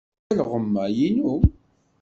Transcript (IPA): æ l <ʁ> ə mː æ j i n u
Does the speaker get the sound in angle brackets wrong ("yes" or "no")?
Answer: no